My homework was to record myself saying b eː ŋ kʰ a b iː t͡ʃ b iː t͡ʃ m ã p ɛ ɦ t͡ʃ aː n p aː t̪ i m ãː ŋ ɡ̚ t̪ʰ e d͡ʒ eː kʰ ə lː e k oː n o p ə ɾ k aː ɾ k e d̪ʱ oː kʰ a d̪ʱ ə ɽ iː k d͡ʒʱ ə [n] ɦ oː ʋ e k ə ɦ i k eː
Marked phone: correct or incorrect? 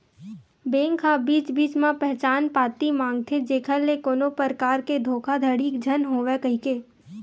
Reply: correct